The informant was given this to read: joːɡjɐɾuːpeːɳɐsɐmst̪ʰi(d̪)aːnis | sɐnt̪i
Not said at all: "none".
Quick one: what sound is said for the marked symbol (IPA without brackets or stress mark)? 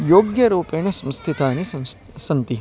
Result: t̪